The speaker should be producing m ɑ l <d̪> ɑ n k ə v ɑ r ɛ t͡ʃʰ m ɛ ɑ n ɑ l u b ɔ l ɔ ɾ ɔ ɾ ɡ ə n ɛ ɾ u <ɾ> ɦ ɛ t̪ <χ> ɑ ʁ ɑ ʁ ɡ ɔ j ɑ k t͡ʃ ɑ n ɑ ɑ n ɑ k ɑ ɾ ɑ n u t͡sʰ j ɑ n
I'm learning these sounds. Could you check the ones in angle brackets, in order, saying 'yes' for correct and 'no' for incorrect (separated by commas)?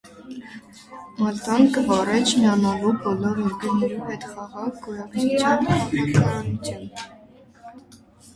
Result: no, no, yes